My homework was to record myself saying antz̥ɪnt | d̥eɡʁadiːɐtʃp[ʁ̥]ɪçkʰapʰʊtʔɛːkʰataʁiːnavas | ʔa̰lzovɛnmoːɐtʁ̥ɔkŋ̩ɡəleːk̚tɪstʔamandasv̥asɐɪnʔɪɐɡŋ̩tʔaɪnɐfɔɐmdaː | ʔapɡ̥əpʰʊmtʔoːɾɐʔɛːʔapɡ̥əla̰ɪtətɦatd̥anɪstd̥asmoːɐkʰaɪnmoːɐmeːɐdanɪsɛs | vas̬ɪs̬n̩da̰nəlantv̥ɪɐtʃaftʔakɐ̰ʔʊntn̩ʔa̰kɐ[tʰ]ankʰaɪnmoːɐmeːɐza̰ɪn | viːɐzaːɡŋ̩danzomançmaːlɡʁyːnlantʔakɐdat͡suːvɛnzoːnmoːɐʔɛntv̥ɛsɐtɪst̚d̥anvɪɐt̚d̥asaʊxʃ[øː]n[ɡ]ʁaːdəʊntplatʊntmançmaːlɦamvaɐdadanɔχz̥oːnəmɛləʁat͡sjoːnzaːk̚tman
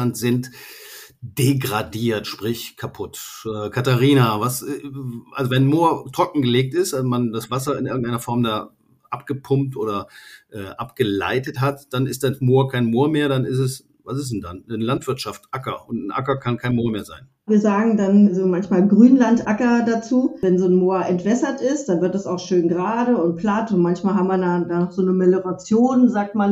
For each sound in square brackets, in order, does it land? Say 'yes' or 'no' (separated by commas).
yes, no, yes, yes